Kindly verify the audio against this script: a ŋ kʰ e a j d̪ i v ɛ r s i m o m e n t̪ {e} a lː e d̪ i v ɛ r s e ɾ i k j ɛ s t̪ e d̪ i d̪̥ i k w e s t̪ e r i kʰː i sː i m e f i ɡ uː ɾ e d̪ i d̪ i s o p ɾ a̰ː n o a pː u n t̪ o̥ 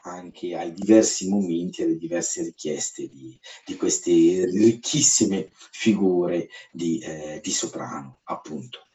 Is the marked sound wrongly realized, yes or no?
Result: yes